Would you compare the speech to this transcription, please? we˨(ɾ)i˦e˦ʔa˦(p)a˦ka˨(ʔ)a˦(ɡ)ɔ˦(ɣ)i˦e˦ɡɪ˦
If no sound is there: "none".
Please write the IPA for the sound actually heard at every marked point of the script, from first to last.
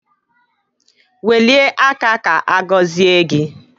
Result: l, k, ʔ, ɡ, z

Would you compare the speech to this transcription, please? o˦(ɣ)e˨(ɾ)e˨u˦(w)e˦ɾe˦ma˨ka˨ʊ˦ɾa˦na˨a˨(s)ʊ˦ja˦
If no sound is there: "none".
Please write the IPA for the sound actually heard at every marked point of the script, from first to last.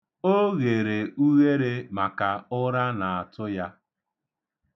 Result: ɣ, ɾ, ɣ, t

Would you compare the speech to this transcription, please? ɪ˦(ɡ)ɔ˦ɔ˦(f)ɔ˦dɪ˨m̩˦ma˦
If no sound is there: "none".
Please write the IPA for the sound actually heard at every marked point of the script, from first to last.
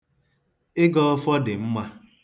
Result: ɡ, f

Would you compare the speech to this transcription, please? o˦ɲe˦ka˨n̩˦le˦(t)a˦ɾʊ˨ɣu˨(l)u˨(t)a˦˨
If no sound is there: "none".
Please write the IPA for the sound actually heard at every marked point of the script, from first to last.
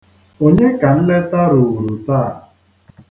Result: t, ɾ, t

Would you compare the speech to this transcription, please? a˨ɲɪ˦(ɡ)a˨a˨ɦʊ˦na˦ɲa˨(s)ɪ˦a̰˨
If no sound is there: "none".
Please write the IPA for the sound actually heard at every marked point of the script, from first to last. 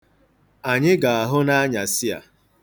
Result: ɡ, s

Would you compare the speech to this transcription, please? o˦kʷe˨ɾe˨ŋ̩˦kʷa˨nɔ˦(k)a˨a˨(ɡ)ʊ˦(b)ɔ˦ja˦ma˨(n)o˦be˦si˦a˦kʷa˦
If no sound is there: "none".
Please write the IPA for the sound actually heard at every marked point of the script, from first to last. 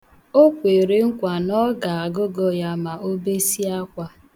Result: ɡ, ɡ, ɡ, none

